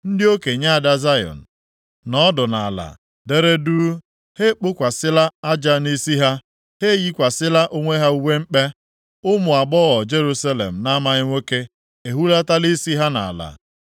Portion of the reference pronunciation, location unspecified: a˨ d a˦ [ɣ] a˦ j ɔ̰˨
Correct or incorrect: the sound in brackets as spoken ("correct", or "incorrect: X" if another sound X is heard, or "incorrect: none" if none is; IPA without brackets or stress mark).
incorrect: z